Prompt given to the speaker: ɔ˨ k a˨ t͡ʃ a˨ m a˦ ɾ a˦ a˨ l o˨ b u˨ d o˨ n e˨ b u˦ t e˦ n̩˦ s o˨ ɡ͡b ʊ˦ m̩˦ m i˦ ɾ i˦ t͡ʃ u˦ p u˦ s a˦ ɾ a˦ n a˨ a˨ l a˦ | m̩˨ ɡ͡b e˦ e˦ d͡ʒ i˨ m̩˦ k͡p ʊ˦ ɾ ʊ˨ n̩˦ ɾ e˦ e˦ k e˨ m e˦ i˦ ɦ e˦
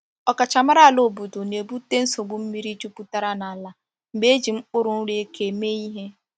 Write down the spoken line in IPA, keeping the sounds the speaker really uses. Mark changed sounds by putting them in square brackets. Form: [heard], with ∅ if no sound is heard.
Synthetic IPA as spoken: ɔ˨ k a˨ t͡ʃ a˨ m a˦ ɾ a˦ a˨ l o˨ b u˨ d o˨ n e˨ b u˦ t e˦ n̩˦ s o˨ ɡ͡b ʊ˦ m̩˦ m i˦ ɾ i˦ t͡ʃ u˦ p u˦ [t] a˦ ɾ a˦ n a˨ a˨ l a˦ | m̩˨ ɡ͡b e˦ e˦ d͡ʒ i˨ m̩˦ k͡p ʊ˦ ɾ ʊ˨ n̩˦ ɾ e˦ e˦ k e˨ m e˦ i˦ ɦ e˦